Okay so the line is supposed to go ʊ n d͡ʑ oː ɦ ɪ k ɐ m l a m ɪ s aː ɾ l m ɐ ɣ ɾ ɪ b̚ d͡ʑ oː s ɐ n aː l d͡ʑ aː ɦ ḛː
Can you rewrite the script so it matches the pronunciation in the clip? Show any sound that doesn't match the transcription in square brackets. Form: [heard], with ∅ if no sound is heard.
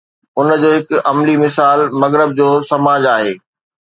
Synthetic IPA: ʊ n d͡ʑ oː ɦ ɪ k ɐ m l [i] m ɪ s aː [∅] l m ɐ ɣ ɾ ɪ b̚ d͡ʑ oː s ɐ [m] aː [∅] d͡ʑ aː ɦ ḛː

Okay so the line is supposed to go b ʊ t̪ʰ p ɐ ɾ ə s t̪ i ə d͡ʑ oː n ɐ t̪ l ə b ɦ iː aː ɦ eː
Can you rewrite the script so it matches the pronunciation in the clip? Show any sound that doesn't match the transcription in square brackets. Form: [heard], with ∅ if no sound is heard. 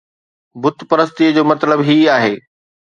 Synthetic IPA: b ʊ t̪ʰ p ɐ ɾ ə s t̪ i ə d͡ʑ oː [m] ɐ t̪ l ə b ɦ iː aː ɦ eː

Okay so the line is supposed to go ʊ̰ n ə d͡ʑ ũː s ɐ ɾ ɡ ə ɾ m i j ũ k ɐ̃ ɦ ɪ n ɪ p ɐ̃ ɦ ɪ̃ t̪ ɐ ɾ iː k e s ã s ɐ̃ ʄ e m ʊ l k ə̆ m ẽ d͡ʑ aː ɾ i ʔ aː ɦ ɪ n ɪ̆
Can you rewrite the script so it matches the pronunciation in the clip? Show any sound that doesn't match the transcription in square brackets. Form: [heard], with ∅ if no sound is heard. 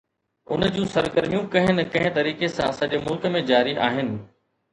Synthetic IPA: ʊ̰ n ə d͡ʑ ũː s ɐ ɾ ɡ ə ɾ m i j ũ k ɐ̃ ɦ ɪ n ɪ [k] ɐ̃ ɦ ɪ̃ t̪ ɐ ɾ iː k e s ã s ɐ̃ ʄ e m ʊ l k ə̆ m ẽ d͡ʑ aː ɾ i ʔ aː ɦ ɪ n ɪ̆

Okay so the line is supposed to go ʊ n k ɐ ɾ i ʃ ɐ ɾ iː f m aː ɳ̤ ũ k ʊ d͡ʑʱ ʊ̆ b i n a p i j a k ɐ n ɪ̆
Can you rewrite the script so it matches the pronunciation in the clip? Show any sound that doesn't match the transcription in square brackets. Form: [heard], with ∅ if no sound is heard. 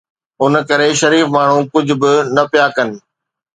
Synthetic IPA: ʊ n k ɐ ɾ [e] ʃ ɐ ɾ iː f m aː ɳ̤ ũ k ʊ d͡ʑʱ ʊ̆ b [ɪ] n [ɐ] p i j a k ɐ n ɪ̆

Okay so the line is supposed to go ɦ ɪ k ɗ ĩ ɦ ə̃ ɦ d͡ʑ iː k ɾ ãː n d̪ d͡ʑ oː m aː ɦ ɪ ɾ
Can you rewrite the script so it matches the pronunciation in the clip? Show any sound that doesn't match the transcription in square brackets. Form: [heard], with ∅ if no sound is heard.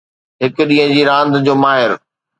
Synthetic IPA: ɦ ɪ k ɗ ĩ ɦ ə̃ [∅] d͡ʑ iː [∅] ɾ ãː n d̪ d͡ʑ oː m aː ɦ ɪ ɾ

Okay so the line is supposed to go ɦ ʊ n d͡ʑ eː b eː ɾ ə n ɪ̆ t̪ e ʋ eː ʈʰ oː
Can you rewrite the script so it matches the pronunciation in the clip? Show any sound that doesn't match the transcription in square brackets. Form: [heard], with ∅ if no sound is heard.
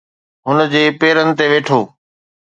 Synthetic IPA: ɦ ʊ n d͡ʑ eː [p] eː ɾ ə n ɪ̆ t̪ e ʋ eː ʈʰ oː

